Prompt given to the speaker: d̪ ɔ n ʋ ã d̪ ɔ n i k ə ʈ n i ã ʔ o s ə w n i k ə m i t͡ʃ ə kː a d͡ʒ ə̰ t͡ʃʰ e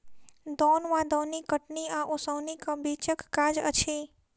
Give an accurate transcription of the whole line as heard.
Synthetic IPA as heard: d̪ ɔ n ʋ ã d̪ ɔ n i k ə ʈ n i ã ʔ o s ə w n i k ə b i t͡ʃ ə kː a d͡ʒ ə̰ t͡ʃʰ e